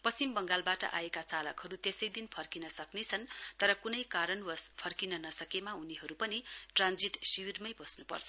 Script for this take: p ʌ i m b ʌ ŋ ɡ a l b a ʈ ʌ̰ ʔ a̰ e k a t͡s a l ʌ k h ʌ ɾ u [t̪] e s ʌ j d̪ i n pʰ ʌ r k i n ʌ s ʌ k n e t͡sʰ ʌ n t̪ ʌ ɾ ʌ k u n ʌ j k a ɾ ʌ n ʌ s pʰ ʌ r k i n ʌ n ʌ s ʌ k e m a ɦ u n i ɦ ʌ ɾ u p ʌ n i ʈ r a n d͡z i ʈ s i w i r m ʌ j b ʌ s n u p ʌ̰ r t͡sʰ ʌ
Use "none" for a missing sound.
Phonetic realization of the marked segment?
t̪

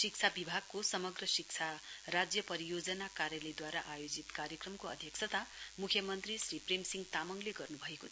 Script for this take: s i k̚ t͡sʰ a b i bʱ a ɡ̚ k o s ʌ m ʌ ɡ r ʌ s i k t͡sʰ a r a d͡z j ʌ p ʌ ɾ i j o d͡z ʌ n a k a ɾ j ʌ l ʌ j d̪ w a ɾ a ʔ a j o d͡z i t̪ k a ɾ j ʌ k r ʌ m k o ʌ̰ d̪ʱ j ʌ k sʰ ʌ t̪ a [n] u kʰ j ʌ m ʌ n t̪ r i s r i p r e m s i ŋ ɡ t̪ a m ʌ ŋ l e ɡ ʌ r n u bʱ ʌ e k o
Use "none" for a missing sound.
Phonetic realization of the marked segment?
m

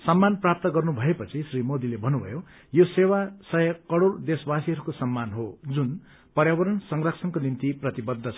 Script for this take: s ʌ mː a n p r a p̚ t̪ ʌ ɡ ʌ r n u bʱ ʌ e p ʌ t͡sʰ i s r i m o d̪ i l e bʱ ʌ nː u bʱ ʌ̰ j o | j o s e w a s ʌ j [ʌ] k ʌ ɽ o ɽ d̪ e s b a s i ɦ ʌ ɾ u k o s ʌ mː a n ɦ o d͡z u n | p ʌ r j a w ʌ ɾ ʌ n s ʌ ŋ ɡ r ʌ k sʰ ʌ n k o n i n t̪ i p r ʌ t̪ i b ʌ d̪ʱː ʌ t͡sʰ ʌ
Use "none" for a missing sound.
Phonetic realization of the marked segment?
ʌ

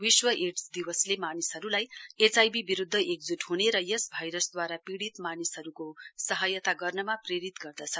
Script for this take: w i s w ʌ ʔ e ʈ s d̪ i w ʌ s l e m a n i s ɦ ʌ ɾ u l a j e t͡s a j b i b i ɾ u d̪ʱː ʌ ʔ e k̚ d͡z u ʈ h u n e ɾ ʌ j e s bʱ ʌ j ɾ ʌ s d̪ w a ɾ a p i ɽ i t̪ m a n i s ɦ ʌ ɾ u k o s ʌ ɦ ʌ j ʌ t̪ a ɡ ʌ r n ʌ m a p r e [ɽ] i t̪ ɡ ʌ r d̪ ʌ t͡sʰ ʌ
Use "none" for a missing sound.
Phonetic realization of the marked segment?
ɾ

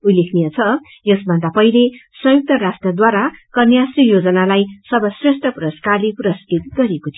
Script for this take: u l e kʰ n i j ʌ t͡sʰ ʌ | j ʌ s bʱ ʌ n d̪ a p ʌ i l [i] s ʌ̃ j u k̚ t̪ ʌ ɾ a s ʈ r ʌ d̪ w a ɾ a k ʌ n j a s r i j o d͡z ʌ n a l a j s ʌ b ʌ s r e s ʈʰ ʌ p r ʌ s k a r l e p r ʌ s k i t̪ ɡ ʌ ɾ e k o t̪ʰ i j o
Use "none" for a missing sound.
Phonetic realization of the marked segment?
e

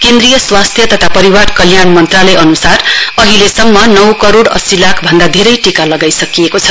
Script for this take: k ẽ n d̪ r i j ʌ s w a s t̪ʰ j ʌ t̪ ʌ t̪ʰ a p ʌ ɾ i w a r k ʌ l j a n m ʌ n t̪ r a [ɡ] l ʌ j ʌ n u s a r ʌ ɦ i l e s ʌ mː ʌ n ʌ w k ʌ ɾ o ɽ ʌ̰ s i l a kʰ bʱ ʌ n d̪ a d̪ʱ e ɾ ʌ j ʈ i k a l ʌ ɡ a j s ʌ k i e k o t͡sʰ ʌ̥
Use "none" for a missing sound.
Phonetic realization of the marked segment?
none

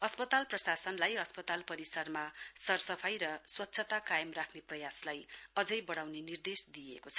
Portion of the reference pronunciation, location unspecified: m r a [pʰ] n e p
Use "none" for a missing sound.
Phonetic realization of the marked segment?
kʰ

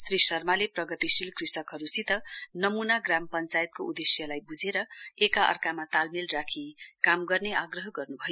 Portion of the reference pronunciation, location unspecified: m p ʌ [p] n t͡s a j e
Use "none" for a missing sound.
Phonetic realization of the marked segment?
none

